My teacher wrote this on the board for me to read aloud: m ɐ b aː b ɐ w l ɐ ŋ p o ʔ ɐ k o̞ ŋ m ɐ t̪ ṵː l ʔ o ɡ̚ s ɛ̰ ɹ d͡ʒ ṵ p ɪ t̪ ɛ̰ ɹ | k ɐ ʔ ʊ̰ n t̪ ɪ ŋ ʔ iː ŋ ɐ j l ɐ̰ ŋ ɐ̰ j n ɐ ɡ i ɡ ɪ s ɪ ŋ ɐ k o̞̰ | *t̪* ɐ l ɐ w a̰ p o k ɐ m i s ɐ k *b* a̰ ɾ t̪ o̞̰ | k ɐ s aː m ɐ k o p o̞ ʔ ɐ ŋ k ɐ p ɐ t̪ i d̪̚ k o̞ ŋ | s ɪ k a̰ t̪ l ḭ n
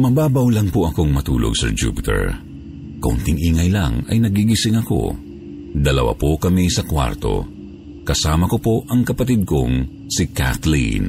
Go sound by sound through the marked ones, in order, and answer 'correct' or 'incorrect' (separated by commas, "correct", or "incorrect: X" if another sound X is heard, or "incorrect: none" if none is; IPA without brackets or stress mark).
incorrect: d̪, incorrect: w